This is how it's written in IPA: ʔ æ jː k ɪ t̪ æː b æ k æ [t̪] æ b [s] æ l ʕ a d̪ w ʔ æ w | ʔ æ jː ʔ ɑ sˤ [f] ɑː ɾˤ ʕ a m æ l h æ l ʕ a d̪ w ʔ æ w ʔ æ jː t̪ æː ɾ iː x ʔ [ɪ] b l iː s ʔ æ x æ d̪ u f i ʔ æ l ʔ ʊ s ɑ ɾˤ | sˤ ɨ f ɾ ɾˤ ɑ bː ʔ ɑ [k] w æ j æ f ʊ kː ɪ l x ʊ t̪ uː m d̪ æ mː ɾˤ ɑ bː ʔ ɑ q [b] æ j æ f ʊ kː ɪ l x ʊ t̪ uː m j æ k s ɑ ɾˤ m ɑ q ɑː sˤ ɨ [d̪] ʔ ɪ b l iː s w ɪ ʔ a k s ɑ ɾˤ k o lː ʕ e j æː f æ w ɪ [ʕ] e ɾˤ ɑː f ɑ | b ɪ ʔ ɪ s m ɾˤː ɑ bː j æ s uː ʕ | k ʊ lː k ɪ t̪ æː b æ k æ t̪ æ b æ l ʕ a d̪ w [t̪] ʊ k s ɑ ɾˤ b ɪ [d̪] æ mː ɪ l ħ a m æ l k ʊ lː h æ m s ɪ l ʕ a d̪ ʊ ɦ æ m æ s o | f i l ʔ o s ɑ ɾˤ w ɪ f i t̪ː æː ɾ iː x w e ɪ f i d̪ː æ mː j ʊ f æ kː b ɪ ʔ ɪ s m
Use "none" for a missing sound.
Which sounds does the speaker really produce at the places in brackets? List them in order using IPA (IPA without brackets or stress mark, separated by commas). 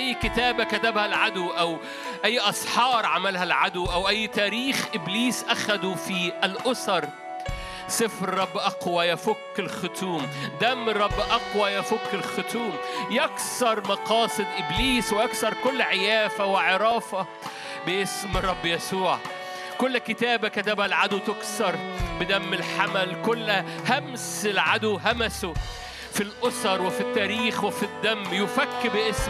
t̪, h, ħ, ɪ, q, w, d̪, ʕ, t̪, d̪